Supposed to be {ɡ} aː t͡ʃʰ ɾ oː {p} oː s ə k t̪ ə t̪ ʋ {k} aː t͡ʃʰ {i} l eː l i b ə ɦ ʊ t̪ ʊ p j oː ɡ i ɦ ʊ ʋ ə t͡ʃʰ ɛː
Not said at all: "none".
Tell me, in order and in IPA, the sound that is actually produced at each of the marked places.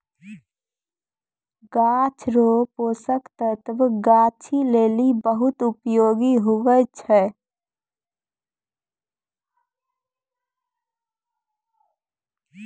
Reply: ɡ, p, ɡ, i

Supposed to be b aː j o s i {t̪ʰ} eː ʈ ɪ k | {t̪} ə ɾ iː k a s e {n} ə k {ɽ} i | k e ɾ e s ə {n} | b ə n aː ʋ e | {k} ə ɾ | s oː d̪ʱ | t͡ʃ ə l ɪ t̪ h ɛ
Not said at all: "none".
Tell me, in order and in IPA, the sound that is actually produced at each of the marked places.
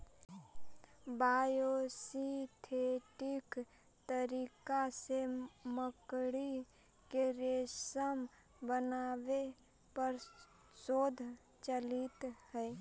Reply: t̪ʰ, t̪, m, ɽ, m, p

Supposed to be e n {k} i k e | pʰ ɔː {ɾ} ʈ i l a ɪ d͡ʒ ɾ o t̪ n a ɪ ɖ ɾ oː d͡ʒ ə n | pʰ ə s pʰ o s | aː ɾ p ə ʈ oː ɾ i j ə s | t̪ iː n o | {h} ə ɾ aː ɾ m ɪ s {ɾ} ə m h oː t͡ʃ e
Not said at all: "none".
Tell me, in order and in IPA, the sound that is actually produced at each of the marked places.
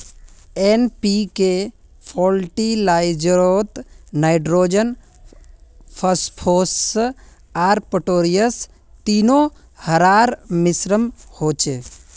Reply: p, l, h, ɾ

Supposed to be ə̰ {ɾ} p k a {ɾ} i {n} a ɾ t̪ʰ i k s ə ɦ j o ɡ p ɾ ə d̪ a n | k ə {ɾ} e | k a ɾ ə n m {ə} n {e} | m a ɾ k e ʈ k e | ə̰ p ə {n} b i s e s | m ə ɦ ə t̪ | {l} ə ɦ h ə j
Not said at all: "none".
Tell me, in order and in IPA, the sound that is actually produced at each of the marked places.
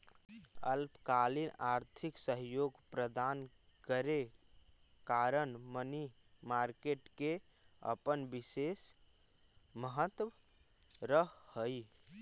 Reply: l, l, n, ɾ, ə, i, n, ɾ

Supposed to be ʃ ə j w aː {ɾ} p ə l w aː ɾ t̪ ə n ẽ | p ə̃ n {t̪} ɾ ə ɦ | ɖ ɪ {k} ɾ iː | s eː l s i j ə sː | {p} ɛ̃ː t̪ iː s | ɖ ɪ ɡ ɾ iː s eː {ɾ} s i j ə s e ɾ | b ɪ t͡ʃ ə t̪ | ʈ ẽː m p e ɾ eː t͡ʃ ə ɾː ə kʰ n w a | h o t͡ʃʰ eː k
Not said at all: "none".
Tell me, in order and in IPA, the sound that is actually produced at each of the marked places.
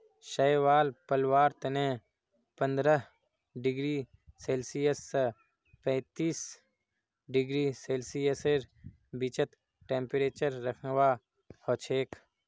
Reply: l, d̪, ɡ, p, l

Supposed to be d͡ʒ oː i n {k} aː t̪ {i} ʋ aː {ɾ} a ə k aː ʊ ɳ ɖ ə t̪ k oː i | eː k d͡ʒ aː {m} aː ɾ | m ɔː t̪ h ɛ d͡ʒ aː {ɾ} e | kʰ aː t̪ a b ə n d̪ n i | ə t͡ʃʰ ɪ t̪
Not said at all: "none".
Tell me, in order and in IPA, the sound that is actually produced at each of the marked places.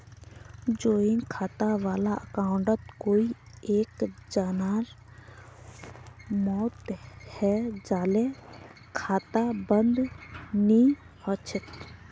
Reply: kʰ, a, l, n, l

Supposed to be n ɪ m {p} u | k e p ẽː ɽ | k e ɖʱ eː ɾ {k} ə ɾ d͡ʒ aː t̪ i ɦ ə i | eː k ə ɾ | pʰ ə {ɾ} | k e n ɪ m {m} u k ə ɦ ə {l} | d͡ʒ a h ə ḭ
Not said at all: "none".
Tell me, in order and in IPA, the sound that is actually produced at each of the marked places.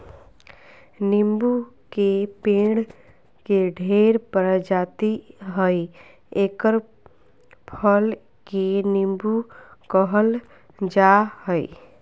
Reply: b, p, l, b, l

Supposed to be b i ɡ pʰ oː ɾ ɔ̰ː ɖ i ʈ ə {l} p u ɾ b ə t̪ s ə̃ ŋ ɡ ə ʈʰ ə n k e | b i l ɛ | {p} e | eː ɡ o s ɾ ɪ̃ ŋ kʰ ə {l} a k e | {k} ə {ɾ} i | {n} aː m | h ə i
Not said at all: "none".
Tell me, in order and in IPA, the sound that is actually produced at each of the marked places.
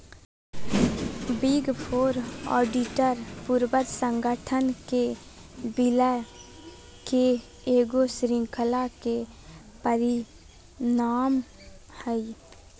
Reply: ɾ, k, l, p, ɾ, n

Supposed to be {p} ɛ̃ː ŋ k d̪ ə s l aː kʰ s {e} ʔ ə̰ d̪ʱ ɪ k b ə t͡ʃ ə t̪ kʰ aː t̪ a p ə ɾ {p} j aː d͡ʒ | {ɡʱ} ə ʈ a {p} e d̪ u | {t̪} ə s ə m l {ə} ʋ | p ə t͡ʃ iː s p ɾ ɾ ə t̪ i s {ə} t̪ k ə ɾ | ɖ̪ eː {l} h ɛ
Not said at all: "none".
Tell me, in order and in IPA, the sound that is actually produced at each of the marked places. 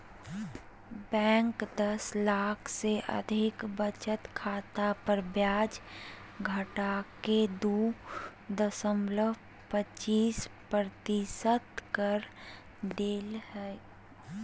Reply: b, e, b, ɡʱ, k, d̪, ə, ə, l

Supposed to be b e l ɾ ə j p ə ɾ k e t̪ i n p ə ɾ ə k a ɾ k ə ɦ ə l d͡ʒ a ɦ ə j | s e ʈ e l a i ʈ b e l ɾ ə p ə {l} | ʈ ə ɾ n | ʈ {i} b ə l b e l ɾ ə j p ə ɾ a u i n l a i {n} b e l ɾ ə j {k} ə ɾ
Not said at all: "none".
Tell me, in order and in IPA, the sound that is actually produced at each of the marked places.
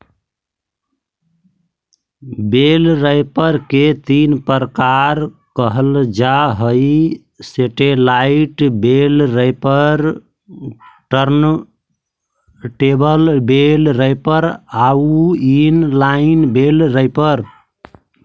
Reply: ɾ, e, n, p

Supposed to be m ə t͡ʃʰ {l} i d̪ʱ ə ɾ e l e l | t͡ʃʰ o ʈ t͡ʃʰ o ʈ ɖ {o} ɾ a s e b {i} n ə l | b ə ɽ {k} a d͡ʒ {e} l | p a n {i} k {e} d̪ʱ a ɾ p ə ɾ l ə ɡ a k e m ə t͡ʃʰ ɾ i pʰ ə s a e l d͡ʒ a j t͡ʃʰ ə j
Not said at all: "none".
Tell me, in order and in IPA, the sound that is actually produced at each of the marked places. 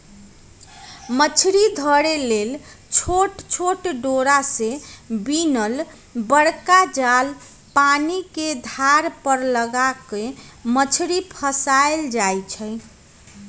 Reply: ɾ, o, i, k, a, i, e

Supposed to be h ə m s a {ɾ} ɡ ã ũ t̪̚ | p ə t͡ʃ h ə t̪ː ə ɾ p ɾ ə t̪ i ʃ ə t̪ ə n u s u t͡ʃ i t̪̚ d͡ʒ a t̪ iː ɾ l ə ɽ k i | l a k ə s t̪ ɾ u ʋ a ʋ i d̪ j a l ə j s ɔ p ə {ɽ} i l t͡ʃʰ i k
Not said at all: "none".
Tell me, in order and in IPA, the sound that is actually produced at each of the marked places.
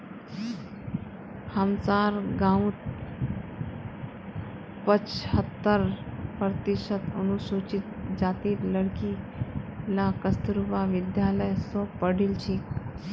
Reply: ɾ, ɽ

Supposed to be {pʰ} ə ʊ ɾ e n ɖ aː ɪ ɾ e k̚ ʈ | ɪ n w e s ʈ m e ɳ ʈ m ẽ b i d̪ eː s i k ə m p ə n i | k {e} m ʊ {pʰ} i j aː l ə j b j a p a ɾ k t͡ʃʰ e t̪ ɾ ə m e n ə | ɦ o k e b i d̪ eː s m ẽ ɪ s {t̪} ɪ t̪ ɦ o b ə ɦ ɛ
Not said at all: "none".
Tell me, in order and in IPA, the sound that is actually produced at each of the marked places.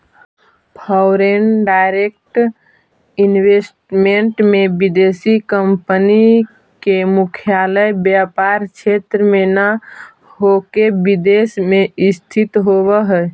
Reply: pʰ, e, kʰ, t̪ʰ

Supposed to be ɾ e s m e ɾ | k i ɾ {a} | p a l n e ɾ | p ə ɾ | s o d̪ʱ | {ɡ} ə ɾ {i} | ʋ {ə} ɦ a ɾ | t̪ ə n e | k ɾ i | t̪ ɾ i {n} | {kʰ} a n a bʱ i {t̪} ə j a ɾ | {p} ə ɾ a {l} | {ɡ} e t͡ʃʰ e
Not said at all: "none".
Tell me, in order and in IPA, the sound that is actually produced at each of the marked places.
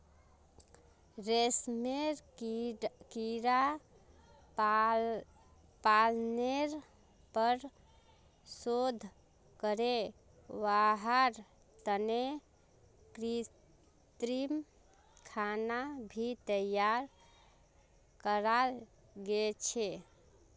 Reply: a, k, e, a, m, kʰ, t̪, k, l, ɡ

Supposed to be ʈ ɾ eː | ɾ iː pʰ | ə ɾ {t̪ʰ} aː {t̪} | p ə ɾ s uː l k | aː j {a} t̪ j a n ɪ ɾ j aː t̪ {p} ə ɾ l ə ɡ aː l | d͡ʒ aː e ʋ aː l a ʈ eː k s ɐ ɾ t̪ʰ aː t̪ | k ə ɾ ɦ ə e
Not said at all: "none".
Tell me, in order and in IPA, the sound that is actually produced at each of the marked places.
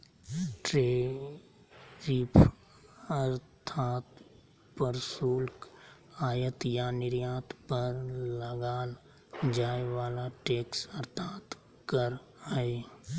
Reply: t̪ʰ, t̪, ə, p

